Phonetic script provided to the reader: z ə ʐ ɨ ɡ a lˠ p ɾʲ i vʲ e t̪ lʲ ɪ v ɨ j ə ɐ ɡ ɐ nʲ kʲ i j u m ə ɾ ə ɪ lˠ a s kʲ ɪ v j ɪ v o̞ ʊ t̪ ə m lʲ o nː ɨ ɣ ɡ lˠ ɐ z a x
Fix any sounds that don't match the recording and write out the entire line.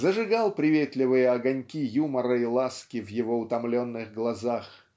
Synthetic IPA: z ə ʐ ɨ ɡ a lˠ p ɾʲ ɪ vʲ e t̪ lʲ ɪ v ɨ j ə ɐ ɡ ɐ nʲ kʲ i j u m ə ɾ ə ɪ lˠ a s kʲ ɪ v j ɪ v o̞ ʊ t̪ ɐ m lʲ o nː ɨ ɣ ɡ lˠ ɐ z a x